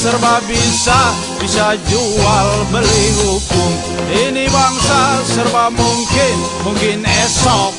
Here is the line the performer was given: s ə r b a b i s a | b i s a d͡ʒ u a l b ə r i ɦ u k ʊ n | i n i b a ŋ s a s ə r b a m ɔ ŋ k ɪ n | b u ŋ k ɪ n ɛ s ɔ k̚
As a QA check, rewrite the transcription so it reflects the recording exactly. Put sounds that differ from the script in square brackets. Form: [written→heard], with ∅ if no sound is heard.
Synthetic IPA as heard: s ə r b a b i s a | b i s a d͡ʒ u a l b ə [r→l] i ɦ u k ʊ [n→m] | i n i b a ŋ s a s ə r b a m [ɔ→u] ŋ k ɪ n | [b→m] u ŋ k ɪ n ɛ s ɔ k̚